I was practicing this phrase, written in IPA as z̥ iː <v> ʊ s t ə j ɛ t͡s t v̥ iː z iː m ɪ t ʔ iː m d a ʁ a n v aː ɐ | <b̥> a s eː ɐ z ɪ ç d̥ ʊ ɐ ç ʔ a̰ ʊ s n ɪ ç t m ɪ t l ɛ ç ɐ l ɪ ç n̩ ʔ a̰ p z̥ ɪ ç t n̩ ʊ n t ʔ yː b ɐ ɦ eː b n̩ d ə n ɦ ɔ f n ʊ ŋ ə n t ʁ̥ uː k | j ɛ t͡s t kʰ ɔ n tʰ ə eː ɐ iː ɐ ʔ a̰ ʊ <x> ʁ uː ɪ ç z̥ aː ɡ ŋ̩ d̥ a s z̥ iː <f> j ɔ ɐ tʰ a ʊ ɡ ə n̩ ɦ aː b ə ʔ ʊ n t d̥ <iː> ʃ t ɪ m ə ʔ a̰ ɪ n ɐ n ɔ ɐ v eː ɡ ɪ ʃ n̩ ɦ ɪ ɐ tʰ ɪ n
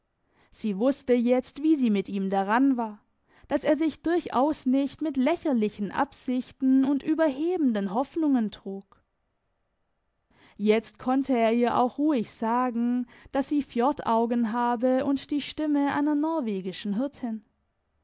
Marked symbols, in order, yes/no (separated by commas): yes, no, yes, yes, yes